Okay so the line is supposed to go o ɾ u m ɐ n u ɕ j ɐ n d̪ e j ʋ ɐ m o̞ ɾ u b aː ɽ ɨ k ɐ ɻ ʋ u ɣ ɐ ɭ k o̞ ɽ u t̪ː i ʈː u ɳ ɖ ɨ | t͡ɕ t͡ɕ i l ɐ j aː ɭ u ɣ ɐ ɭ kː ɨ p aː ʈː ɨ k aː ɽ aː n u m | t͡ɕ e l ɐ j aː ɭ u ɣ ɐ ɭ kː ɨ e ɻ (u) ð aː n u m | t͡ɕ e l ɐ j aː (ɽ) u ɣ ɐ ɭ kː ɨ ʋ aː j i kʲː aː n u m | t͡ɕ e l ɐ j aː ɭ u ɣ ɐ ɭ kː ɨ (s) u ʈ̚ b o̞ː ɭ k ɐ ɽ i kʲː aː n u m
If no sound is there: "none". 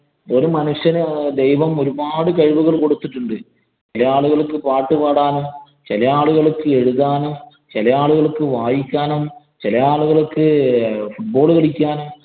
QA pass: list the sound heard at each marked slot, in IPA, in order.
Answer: u, ɭ, f

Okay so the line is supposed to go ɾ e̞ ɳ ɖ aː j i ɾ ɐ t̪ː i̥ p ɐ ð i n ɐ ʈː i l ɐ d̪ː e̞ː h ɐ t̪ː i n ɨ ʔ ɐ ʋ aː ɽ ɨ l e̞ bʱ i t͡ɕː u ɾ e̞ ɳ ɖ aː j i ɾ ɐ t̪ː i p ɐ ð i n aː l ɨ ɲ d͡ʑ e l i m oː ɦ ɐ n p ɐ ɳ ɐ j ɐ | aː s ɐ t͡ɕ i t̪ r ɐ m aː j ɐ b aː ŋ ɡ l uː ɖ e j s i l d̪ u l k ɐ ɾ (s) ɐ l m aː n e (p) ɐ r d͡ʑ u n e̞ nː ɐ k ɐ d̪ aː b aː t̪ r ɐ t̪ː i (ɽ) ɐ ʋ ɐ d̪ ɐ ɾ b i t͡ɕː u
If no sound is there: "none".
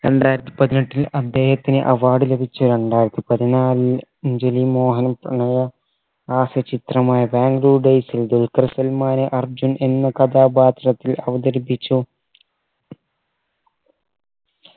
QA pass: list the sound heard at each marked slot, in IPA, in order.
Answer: s, ʔ, l

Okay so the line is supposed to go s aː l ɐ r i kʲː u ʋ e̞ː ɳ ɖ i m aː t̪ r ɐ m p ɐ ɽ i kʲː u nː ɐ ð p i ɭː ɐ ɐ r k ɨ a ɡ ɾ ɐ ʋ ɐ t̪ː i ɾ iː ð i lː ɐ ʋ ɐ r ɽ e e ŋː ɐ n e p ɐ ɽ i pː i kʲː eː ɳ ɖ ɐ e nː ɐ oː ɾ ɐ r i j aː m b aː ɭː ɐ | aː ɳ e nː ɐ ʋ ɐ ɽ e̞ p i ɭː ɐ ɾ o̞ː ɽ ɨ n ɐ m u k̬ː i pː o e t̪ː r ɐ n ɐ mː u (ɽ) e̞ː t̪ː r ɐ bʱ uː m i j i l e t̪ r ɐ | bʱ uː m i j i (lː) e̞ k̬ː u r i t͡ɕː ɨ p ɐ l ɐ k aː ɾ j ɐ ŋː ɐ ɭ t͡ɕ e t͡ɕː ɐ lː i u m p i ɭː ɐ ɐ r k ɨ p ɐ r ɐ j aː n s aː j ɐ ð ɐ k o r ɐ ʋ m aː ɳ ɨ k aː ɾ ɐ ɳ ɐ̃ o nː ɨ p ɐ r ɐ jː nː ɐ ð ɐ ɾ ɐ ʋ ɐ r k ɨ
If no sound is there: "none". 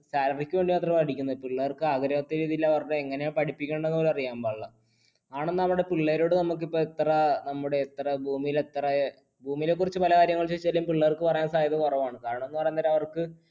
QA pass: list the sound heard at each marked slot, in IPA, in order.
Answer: ɽ, l

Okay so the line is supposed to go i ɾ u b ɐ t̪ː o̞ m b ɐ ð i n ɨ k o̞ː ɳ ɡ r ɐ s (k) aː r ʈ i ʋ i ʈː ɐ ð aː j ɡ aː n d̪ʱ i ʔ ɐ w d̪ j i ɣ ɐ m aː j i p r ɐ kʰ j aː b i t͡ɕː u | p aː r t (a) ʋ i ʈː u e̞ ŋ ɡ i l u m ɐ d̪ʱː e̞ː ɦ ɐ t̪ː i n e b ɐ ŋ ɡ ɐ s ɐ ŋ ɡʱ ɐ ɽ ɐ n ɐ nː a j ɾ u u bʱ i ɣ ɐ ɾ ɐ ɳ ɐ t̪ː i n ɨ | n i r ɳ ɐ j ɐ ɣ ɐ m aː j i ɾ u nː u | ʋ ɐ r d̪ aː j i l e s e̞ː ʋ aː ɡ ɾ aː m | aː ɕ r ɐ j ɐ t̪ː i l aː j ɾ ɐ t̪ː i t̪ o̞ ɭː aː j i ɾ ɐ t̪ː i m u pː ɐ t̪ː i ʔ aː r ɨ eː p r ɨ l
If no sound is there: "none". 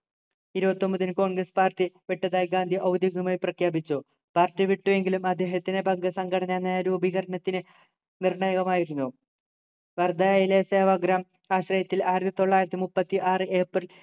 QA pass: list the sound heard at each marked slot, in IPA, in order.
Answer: p, i

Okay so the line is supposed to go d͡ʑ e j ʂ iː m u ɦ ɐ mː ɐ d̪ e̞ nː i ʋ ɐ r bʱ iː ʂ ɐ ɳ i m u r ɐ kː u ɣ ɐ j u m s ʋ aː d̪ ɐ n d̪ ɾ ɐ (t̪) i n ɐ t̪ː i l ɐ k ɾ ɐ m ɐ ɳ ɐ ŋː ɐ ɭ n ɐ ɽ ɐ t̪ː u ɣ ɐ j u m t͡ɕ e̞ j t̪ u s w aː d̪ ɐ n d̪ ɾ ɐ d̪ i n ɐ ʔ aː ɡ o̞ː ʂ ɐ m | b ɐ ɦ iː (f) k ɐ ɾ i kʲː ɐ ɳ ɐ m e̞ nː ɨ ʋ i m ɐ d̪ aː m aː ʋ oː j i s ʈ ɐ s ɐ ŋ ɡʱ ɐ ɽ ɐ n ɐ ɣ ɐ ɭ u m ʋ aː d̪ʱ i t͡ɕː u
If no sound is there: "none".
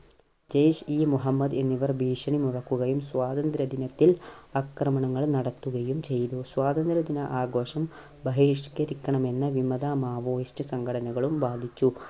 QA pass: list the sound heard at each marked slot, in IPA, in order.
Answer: d̪, ʂ

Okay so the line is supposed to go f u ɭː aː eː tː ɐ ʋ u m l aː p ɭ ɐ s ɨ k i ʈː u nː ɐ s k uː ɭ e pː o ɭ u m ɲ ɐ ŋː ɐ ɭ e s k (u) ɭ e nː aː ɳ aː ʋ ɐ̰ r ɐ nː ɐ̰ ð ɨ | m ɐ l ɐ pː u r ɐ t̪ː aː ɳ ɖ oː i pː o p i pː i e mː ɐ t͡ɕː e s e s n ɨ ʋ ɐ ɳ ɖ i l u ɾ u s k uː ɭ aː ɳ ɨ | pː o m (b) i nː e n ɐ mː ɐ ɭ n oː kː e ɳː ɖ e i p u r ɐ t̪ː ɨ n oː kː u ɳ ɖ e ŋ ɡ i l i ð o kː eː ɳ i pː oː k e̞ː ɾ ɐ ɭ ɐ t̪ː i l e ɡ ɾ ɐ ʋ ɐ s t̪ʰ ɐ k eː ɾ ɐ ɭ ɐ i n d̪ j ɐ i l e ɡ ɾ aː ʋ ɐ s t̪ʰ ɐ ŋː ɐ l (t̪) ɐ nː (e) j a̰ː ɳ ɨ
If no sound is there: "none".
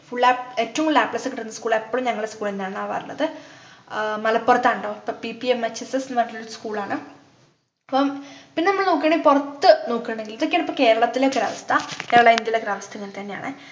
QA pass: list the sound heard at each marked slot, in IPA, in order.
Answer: uː, p, t̪, e

